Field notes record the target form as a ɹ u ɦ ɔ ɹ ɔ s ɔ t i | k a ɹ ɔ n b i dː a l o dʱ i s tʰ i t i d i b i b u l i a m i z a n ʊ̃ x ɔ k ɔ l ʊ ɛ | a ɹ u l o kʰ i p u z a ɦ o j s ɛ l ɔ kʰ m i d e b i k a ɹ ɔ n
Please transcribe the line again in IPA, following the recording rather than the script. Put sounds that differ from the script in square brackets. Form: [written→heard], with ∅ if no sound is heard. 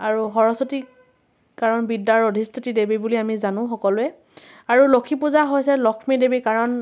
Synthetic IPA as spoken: a ɹ u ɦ ɔ ɹ ɔ s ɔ t i | k a ɹ ɔ n b i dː a [l→ɹ] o dʱ i s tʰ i t i d [i→e] b i b u l i a m i z a n ʊ̃ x ɔ k ɔ l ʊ ɛ | a ɹ u l o kʰ i p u z a ɦ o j s ɛ l ɔ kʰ m i d e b i k a ɹ ɔ n